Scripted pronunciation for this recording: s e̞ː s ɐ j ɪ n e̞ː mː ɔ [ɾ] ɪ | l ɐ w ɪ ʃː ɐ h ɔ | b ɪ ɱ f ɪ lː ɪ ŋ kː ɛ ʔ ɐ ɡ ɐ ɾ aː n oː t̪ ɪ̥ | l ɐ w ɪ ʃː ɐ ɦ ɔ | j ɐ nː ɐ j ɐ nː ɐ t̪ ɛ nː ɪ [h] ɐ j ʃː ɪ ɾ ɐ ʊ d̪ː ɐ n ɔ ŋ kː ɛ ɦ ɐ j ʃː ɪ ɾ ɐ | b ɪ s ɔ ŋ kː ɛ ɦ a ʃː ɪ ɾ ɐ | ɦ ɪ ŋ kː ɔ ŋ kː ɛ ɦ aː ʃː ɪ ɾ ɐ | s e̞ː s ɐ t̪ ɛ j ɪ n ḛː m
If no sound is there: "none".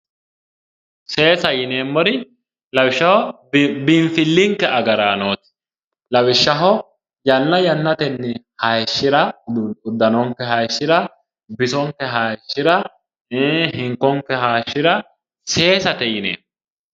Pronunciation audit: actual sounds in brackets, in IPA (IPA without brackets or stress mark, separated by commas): ɾ, h